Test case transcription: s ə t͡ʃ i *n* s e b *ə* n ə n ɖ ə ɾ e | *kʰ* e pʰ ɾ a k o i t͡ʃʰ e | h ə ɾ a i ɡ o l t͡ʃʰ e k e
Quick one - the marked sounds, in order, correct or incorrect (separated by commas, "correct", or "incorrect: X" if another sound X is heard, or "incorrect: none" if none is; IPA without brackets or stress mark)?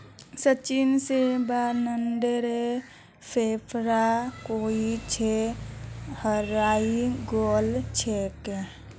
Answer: correct, incorrect: a, incorrect: pʰ